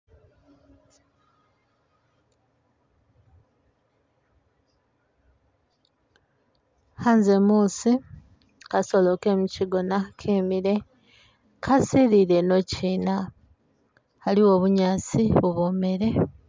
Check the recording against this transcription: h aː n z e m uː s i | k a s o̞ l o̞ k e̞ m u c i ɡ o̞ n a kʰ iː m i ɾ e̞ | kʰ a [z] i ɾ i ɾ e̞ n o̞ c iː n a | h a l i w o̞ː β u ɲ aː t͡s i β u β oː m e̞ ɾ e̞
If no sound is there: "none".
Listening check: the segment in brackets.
s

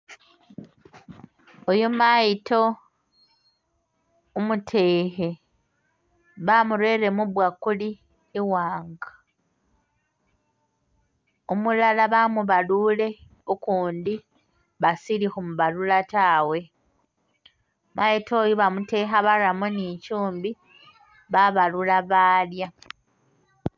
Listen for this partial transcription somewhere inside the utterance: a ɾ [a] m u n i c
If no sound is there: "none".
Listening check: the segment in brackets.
a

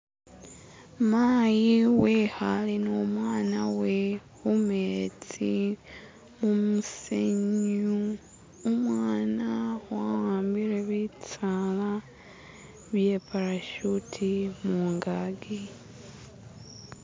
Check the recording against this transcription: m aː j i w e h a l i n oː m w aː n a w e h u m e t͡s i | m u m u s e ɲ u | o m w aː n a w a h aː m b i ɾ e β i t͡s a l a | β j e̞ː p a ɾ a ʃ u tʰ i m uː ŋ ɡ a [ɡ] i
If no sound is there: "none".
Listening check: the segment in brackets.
ɡ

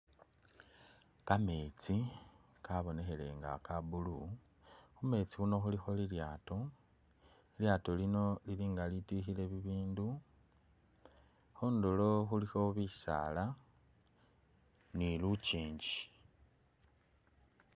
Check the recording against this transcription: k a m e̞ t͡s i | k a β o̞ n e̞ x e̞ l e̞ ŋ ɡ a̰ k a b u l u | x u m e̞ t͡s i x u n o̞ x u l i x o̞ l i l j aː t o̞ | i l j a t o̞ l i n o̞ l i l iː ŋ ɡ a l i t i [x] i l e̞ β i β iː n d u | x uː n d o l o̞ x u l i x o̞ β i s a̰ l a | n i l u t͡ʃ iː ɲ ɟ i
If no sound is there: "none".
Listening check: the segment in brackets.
x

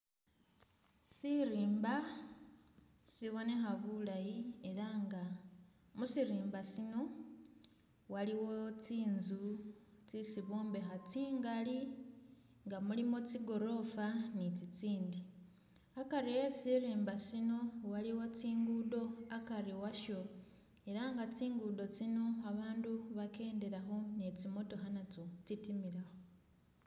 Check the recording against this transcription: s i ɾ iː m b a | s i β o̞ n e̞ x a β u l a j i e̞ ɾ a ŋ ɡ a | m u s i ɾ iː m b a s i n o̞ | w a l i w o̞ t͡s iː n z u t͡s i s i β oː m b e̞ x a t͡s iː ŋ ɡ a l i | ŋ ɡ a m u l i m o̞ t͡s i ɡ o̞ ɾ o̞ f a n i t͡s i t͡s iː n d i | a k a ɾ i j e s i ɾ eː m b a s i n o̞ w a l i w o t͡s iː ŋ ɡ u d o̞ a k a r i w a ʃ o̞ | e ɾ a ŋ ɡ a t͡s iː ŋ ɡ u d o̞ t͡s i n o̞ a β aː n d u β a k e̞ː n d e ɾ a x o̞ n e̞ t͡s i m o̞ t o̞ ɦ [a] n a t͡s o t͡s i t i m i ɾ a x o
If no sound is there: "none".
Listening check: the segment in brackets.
a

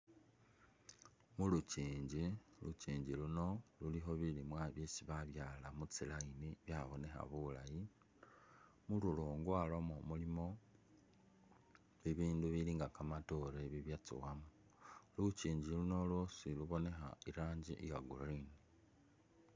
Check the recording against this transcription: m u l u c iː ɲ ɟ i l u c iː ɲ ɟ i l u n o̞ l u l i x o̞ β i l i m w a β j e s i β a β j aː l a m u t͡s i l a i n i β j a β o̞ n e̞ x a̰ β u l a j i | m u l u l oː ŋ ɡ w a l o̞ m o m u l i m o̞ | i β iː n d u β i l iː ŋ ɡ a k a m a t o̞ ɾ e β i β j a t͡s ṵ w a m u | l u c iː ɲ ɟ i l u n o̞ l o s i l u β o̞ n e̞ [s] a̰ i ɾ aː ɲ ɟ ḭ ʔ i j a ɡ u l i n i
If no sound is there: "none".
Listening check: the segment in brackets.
x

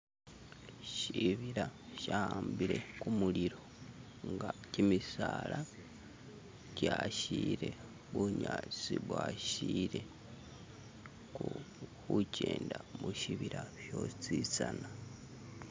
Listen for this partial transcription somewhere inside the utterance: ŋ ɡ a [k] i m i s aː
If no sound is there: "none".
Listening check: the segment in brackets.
c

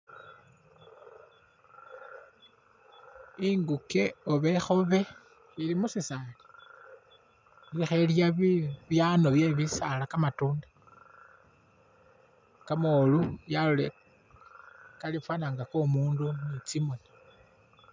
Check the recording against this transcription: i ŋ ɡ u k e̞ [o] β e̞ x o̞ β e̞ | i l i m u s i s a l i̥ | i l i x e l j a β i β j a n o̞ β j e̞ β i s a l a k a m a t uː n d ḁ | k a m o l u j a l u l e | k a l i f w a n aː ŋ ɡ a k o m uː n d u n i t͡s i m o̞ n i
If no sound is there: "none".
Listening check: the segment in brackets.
o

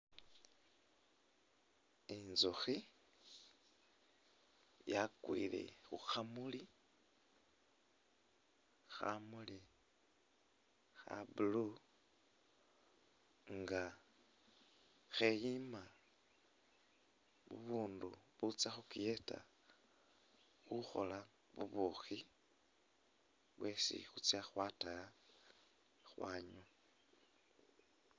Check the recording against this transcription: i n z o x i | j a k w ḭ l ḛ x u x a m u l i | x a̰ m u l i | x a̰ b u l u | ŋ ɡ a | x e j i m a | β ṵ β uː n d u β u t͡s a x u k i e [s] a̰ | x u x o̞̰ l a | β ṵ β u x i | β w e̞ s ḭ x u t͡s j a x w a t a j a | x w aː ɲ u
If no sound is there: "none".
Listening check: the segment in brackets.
t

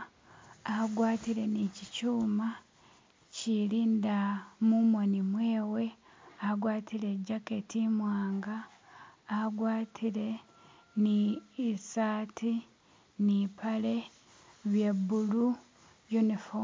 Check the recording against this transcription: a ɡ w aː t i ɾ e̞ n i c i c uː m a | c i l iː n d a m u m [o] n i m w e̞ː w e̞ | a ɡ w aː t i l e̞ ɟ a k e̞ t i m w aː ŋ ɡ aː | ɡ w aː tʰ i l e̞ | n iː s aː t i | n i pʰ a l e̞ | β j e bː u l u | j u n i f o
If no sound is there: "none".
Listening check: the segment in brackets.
o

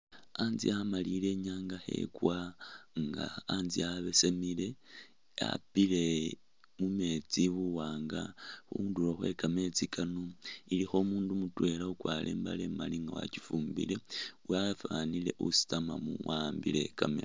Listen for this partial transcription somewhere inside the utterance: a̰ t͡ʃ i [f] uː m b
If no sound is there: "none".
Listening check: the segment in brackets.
f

